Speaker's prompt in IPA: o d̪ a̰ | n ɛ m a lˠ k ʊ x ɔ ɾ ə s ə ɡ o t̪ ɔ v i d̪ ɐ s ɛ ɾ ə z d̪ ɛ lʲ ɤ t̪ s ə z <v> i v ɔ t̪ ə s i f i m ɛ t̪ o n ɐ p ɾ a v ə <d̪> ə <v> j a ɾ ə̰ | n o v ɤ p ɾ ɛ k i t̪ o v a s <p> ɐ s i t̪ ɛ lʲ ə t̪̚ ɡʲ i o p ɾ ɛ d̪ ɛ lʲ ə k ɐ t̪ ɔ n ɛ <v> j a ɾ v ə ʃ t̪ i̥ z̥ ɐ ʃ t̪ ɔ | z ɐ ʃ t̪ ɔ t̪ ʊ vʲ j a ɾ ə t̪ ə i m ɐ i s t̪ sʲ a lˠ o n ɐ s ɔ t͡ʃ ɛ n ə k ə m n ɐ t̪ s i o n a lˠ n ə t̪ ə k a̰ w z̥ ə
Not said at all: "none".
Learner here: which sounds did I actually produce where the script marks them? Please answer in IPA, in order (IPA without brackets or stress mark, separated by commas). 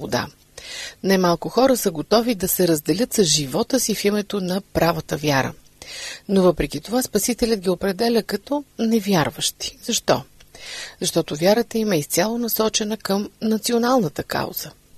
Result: ʒ, t̪, v, p, v